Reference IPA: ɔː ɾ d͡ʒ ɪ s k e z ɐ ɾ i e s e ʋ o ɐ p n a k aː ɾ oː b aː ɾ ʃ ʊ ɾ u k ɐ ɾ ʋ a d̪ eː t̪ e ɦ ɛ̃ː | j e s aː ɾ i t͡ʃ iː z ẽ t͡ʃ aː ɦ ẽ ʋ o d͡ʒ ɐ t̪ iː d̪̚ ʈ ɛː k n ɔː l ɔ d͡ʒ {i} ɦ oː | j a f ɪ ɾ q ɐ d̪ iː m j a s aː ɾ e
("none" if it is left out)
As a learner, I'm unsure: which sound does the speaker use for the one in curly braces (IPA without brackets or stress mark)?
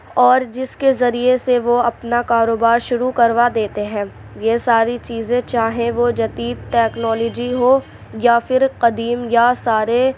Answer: i